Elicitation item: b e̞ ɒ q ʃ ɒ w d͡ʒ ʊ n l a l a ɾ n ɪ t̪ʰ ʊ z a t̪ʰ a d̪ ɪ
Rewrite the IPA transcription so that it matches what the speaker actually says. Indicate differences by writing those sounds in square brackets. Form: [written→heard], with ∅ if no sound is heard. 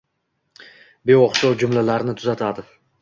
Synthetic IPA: b e̞ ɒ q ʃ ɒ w d͡ʒ ʊ [n→m] l a l a ɾ n ɪ t̪ʰ ʊ z a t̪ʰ a d̪ ɪ